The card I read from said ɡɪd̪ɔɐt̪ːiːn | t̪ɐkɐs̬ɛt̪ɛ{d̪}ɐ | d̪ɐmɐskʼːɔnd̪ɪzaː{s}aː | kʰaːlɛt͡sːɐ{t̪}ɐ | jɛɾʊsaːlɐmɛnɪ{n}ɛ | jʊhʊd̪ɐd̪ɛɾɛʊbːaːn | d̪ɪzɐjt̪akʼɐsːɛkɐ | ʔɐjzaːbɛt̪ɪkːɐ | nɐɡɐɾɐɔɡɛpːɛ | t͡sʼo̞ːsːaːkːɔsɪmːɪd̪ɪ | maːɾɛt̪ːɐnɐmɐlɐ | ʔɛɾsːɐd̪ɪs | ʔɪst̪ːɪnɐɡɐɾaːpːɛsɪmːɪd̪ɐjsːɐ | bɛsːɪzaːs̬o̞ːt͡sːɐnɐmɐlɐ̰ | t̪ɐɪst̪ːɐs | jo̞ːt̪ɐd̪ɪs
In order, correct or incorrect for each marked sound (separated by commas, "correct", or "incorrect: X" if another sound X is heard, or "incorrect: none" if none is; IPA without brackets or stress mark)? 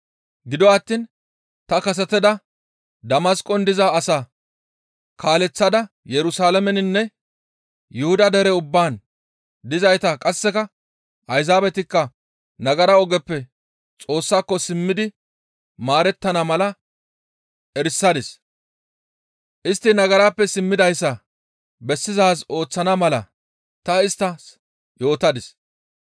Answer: correct, correct, incorrect: d̪, incorrect: nː